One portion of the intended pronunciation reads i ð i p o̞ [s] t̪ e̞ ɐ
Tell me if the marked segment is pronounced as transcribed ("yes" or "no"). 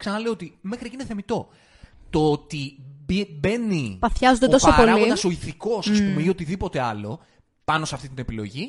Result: no